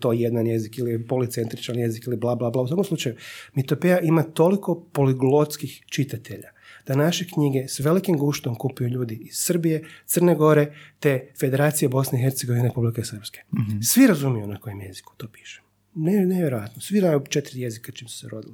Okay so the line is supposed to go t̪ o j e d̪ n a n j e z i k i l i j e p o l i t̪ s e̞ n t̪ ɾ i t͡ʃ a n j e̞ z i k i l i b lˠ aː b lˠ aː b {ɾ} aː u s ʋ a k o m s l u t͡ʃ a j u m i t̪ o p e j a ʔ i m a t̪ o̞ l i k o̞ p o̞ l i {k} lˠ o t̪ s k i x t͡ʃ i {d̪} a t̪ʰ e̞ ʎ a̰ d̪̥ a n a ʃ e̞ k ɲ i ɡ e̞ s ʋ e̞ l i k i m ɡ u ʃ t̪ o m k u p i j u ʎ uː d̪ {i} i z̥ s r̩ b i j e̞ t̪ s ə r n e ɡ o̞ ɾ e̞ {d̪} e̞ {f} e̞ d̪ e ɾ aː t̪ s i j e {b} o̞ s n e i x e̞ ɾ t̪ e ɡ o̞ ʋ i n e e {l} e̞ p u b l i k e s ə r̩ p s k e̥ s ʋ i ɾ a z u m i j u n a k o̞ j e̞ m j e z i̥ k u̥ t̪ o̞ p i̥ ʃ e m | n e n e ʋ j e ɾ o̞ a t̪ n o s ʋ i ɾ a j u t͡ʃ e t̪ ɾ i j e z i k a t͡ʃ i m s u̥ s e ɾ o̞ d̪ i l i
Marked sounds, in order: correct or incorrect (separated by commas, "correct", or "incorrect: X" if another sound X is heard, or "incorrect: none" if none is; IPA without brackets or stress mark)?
incorrect: l, incorrect: ɡ, incorrect: t̪, correct, incorrect: t̪, correct, correct, incorrect: ɾ